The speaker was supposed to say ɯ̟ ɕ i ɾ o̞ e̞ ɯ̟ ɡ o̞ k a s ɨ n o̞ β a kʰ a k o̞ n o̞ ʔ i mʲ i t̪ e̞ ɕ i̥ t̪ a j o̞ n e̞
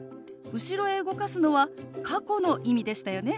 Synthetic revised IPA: ɯ̟ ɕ i ɾ o̞ e̞ ɯ̟ ɡ o̞ k a s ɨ n o̞ β a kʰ a k o̞ n o̞ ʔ i mʲ i d̪ e̞ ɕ i̥ t̪ a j o̞ n e̞